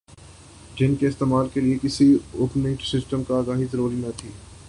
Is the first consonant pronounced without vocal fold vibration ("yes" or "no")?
no